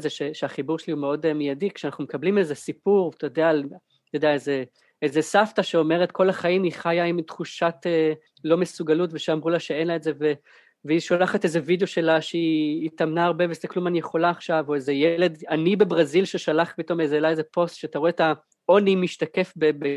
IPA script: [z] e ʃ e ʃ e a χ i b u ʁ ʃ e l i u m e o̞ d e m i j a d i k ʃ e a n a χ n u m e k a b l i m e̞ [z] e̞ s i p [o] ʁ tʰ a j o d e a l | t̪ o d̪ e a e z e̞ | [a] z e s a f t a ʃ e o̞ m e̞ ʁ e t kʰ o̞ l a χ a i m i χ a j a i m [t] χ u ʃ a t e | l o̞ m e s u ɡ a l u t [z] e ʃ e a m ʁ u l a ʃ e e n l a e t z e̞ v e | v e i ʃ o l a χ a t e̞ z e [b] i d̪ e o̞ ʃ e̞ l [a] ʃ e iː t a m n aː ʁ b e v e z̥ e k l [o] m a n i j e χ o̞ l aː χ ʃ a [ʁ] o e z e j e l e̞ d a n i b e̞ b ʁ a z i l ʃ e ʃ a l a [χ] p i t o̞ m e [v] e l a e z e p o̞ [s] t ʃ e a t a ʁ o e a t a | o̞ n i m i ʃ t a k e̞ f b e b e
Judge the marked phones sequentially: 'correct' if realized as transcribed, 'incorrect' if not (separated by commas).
correct, correct, incorrect, incorrect, correct, incorrect, incorrect, correct, incorrect, incorrect, correct, incorrect, correct